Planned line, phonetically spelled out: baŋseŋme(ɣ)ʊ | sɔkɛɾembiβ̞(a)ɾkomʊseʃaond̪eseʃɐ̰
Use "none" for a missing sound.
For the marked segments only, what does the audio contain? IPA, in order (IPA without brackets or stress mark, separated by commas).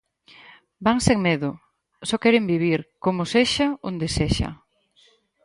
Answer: ð, i